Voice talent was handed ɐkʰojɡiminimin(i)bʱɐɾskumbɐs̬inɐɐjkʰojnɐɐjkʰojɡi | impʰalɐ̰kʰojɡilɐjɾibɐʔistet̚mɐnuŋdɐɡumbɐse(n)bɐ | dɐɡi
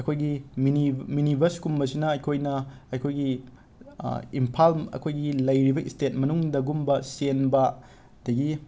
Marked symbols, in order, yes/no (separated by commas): yes, yes